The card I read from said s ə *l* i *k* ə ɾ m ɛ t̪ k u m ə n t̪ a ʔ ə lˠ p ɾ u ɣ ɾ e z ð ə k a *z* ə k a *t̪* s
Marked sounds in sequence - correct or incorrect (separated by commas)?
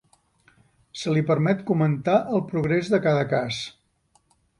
correct, incorrect, incorrect, incorrect